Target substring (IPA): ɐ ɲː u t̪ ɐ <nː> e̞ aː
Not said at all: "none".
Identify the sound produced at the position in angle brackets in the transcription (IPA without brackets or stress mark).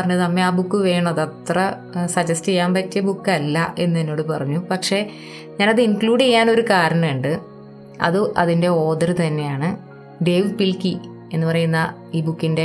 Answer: mː